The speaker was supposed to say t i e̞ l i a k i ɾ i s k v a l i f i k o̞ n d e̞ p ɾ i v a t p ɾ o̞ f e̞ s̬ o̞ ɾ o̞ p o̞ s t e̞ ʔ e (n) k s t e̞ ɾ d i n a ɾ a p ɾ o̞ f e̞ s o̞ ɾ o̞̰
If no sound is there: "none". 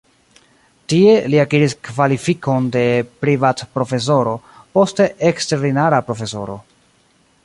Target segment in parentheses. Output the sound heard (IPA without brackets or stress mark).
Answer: none